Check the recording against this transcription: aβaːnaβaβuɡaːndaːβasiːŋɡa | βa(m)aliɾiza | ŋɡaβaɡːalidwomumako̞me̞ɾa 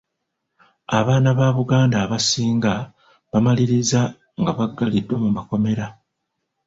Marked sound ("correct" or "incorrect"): correct